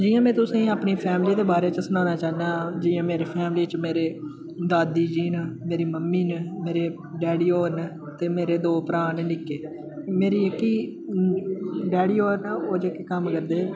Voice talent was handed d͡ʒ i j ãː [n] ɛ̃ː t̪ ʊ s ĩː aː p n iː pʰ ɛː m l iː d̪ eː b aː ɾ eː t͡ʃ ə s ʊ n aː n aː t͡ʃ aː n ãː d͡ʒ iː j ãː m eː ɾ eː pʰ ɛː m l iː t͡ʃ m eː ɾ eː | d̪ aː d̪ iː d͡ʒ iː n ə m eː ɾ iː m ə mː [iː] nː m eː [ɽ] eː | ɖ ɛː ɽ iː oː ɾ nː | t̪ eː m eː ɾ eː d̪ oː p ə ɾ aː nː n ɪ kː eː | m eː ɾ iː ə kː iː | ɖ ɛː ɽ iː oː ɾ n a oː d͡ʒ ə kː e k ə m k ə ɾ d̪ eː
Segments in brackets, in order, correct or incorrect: incorrect: m, correct, incorrect: ɾ

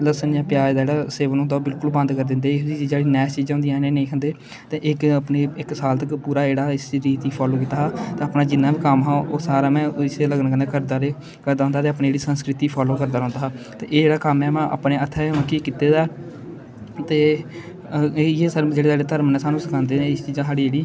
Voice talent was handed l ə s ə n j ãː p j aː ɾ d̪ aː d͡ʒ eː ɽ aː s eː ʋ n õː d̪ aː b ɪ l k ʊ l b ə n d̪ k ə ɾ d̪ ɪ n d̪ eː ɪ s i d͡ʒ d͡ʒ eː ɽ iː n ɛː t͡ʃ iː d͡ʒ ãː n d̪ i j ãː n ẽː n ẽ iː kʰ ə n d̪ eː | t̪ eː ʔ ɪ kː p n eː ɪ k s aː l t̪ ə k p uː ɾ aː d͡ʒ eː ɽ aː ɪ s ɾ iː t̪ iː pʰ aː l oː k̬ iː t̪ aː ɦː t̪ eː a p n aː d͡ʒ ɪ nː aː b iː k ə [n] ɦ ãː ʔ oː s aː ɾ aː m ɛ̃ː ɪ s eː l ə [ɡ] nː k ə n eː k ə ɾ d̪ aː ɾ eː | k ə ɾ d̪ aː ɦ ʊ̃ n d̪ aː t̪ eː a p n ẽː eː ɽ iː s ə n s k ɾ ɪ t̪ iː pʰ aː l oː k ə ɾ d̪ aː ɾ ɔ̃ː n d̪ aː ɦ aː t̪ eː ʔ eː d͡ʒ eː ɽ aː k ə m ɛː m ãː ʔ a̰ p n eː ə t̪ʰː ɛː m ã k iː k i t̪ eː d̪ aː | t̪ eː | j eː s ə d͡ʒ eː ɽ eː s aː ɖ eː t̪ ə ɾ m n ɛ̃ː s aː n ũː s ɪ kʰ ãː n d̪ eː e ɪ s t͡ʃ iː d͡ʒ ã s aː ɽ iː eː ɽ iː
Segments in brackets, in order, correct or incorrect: incorrect: m, correct

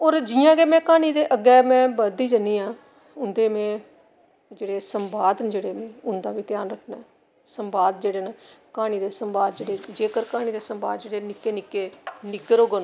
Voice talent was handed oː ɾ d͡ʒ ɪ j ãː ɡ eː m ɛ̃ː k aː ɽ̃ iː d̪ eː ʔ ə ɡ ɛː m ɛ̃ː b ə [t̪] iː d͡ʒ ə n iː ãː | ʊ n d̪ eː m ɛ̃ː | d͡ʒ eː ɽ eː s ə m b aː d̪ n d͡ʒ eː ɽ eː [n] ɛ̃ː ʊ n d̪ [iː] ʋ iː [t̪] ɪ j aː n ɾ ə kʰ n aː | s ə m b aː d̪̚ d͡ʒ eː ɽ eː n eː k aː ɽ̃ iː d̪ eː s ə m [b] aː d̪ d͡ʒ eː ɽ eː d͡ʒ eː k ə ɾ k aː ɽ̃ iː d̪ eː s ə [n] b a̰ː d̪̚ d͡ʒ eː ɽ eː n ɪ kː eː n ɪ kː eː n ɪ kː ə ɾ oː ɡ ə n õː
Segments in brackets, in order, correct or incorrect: incorrect: d̪, incorrect: m, incorrect: aː, correct, correct, incorrect: m

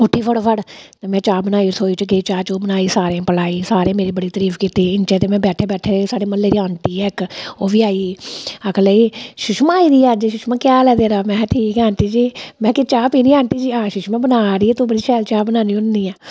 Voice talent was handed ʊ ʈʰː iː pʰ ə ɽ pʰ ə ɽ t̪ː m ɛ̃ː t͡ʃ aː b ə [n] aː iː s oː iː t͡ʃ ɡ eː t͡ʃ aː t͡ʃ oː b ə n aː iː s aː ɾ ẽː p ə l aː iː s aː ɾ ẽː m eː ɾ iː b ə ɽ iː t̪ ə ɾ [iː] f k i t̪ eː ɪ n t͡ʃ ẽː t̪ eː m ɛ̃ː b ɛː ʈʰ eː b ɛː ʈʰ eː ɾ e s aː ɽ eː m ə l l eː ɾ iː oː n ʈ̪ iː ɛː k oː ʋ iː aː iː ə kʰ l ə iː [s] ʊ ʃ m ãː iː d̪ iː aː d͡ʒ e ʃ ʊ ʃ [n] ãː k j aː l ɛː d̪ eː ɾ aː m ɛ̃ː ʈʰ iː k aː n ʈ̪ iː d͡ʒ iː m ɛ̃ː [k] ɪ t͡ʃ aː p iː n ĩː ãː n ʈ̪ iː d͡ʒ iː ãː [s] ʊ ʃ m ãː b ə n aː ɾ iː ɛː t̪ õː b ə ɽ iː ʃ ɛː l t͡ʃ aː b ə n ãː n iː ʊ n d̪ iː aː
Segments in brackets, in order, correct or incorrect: correct, correct, incorrect: ʃ, incorrect: m, correct, incorrect: ʃ

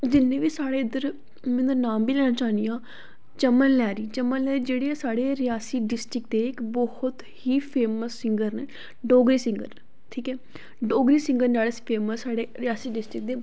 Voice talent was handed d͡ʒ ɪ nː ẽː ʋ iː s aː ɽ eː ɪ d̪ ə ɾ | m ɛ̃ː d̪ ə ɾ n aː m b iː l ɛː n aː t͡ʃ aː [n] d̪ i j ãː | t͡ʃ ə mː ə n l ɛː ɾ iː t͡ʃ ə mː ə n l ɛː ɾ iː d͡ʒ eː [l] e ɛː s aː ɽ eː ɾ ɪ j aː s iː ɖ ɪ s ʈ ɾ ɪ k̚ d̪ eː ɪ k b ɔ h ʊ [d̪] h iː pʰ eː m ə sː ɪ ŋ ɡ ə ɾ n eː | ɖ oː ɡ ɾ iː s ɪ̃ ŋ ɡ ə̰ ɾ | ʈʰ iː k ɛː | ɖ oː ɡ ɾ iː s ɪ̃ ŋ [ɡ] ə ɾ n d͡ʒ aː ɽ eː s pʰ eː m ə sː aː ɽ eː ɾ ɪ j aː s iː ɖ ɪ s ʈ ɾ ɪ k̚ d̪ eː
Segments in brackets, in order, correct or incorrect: correct, incorrect: ɽ, incorrect: t̪, correct

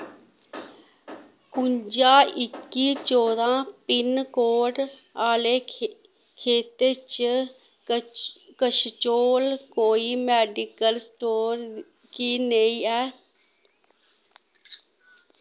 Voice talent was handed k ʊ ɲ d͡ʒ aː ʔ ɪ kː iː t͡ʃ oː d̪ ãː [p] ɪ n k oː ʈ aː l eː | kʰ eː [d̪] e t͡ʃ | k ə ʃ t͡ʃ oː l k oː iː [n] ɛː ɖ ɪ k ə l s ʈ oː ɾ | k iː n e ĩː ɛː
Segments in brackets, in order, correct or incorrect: correct, incorrect: t̪, incorrect: m

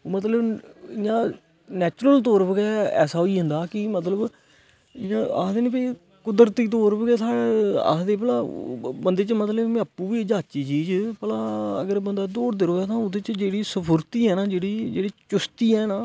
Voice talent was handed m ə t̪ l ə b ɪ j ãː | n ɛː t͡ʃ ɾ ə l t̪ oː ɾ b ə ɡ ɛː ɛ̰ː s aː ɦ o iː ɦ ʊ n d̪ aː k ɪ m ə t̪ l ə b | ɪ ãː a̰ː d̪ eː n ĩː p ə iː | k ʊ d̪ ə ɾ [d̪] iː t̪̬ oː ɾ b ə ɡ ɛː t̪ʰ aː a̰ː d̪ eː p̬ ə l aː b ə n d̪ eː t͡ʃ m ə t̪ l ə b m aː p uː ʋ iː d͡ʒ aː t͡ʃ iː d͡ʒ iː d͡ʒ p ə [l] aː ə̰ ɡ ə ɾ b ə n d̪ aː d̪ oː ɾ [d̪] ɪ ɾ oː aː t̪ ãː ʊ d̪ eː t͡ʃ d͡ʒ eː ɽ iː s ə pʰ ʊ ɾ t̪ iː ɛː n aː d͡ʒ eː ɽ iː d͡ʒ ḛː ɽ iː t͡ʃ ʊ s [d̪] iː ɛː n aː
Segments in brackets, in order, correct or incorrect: incorrect: t̪, correct, correct, incorrect: t̪

